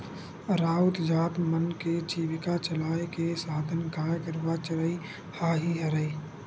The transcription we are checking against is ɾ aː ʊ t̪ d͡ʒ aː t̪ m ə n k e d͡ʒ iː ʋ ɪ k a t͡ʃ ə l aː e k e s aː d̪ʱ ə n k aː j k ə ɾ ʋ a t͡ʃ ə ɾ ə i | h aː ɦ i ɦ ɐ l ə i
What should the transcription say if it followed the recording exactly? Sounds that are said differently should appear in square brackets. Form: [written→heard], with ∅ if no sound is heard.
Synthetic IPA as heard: ɾ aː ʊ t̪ d͡ʒ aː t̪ m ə n k e d͡ʒ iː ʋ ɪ k a t͡ʃ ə l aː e k e s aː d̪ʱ ə n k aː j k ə ɾ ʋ a t͡ʃ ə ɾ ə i | h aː ɦ i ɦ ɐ [l→ɾ] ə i